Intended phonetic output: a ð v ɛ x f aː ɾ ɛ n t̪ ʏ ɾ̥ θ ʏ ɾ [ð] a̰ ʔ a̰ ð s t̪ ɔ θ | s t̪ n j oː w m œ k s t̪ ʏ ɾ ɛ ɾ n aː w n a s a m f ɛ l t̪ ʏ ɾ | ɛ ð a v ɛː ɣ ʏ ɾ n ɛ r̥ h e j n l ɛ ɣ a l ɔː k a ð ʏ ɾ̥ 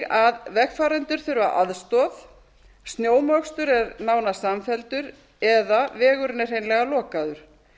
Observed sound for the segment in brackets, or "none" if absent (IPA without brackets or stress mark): v